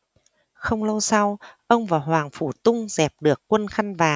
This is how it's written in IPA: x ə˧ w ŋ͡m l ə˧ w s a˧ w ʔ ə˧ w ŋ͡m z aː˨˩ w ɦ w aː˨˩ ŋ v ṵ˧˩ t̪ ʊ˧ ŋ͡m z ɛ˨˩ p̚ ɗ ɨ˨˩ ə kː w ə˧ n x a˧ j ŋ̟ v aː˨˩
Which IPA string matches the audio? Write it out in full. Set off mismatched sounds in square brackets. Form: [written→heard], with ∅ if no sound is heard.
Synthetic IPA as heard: x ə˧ w ŋ͡m l ə˧ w s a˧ w ʔ ə˧ w ŋ͡m [z→v] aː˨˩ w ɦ w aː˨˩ ŋ [v→f] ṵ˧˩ t̪ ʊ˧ ŋ͡m z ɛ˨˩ p̚ ɗ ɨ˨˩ ə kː w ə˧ n x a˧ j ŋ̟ v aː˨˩